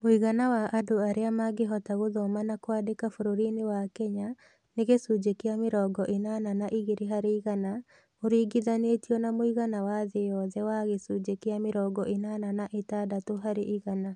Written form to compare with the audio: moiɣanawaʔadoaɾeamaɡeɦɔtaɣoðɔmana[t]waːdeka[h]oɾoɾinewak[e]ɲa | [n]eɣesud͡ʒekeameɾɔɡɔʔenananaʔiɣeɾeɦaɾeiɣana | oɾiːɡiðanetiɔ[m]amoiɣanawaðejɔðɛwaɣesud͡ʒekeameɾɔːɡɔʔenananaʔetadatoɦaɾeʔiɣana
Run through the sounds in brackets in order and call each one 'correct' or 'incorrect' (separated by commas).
incorrect, incorrect, incorrect, correct, incorrect